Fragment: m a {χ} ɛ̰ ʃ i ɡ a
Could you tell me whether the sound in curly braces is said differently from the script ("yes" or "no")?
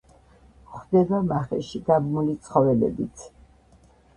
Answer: no